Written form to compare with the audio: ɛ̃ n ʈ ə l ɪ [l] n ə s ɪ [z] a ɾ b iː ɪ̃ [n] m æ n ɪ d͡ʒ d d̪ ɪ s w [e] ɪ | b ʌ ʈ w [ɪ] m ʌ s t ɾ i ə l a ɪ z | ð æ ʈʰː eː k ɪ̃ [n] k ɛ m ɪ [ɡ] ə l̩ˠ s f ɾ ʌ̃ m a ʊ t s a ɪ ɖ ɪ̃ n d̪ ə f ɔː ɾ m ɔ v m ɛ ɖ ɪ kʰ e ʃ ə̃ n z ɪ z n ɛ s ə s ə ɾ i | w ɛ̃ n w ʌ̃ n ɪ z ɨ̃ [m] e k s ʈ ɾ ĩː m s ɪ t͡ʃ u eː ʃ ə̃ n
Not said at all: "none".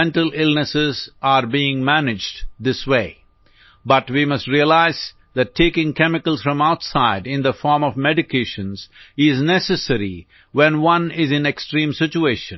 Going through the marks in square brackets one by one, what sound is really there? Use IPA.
l, z, ŋ, e, i, ŋ, k, n

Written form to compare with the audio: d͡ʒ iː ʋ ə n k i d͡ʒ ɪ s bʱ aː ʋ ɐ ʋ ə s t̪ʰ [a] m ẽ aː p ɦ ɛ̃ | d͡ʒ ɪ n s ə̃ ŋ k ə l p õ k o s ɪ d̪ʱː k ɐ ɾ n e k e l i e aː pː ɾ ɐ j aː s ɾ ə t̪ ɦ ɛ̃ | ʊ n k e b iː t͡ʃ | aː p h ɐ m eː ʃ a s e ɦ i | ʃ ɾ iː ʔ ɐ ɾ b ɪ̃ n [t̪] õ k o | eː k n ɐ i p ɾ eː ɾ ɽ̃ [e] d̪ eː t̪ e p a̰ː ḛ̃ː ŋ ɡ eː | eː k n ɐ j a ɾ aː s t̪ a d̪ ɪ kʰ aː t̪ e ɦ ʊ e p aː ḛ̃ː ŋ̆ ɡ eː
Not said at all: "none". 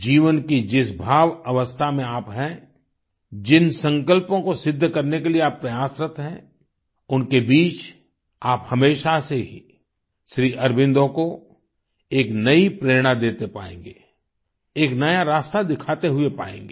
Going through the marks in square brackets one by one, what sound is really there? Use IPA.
a, d̪, a

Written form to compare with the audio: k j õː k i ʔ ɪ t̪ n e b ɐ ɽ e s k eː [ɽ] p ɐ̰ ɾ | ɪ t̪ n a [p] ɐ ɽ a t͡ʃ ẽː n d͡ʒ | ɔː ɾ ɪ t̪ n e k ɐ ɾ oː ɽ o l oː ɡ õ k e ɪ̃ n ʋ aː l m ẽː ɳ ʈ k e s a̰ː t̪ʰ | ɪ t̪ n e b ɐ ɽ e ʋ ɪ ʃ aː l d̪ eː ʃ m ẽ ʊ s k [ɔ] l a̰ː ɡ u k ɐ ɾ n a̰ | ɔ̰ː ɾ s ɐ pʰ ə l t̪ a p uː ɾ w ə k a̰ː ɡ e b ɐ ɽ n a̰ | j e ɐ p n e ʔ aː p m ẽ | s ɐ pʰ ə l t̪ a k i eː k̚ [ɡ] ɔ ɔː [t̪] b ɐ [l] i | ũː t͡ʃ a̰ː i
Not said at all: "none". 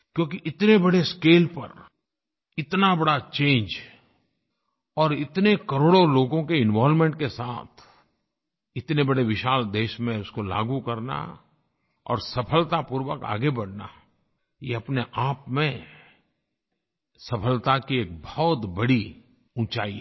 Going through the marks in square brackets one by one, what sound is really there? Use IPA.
l, b, o, b, t̪, ɽ

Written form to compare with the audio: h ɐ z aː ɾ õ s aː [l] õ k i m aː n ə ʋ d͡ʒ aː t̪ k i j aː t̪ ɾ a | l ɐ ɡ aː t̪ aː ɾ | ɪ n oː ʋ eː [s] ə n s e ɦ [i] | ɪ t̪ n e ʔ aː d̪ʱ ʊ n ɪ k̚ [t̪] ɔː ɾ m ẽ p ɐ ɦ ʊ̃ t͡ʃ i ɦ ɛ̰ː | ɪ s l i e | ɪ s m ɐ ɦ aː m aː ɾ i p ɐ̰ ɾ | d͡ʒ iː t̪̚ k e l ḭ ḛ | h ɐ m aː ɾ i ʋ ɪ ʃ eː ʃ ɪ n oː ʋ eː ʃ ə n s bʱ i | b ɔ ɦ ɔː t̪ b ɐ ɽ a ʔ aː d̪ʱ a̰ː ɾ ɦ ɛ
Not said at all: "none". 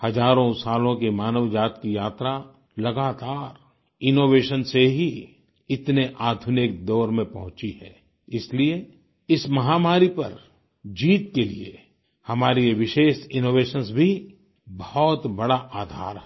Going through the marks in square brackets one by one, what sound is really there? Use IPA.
l, ʃ, i, d̪

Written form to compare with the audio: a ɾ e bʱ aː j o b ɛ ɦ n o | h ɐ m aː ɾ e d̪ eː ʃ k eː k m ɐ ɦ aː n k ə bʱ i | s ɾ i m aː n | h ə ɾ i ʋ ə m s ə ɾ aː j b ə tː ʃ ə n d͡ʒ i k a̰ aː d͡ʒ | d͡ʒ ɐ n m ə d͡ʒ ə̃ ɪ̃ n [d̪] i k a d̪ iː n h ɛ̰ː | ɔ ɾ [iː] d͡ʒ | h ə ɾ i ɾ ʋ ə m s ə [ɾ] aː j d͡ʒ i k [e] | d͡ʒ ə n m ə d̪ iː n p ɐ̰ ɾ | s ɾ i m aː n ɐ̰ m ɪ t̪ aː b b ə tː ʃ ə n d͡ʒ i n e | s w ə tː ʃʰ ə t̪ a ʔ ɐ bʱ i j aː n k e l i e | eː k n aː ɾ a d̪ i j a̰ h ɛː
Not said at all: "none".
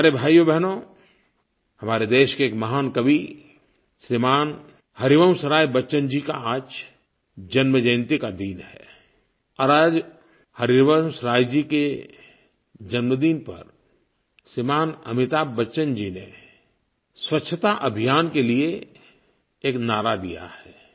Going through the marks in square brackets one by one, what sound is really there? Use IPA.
t̪, aː, ɾ, e

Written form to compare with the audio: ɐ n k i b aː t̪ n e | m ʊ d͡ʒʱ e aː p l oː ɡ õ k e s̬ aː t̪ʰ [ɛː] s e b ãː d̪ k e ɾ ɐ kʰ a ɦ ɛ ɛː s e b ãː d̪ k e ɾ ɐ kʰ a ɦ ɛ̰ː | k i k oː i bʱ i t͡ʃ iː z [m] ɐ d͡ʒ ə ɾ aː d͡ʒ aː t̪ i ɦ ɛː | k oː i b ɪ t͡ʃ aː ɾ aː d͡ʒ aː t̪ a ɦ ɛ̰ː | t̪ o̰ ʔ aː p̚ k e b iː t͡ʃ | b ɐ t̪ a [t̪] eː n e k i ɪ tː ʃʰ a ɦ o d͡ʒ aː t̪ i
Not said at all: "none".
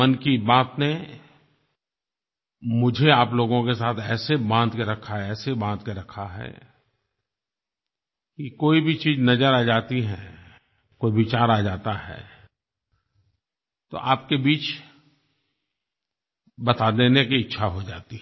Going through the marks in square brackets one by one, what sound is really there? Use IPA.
ɛː, n, d̪

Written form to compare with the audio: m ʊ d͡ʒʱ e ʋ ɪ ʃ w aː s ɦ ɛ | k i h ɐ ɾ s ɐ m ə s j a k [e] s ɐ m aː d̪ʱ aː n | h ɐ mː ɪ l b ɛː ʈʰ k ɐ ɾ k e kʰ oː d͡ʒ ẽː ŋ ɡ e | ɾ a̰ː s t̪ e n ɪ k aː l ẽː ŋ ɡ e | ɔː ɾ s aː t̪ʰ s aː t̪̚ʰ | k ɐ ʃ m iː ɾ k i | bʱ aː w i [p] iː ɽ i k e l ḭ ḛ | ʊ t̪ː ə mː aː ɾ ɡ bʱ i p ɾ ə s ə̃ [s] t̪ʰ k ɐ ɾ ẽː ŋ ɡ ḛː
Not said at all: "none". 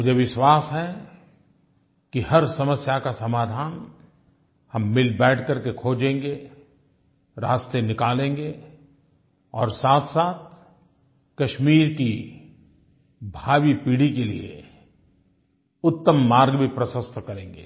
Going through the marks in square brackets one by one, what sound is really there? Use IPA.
a, p, s

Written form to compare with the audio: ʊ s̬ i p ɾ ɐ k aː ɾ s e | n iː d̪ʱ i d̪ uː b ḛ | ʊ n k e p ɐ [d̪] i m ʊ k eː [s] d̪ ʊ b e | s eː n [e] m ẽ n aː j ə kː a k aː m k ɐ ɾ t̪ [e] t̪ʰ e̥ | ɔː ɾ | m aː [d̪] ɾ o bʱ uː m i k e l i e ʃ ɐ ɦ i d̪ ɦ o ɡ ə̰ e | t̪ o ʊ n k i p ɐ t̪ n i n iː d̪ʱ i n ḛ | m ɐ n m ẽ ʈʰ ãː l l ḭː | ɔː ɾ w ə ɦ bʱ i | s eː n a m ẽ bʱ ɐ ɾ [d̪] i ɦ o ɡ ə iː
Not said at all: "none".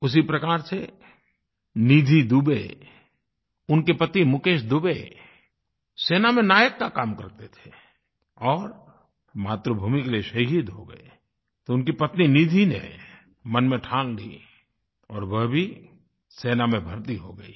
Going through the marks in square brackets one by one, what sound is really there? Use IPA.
t̪, ʃ, a, e, t̪, t̪

